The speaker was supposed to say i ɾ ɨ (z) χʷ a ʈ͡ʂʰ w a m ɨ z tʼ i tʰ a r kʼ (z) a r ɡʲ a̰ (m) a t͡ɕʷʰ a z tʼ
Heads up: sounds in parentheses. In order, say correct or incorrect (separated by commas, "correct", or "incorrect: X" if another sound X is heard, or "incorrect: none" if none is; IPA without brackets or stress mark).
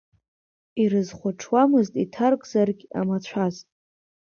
correct, correct, correct